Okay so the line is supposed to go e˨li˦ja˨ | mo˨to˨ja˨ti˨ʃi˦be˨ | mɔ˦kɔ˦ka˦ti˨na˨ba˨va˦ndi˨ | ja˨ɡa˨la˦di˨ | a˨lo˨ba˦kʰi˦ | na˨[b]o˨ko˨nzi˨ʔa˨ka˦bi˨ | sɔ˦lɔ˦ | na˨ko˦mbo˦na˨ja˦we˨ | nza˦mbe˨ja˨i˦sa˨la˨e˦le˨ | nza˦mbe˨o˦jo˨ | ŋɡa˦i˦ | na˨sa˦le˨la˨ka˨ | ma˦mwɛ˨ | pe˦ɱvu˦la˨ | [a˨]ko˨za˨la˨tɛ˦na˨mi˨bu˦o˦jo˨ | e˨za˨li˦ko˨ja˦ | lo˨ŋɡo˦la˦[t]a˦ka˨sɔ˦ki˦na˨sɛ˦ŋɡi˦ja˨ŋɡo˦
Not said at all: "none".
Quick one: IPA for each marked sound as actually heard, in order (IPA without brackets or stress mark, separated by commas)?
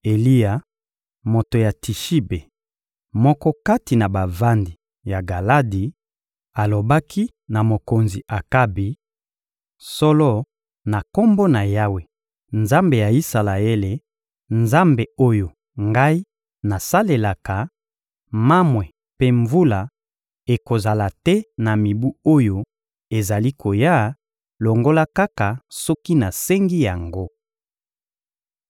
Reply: m, e˨, k